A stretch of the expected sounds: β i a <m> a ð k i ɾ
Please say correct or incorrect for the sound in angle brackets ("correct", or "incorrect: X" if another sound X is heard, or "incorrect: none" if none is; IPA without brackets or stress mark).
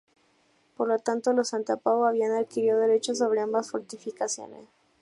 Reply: incorrect: n